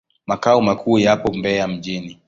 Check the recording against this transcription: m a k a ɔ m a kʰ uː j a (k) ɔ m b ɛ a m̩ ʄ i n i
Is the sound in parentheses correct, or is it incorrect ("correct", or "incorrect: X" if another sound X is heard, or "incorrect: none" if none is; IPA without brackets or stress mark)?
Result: incorrect: p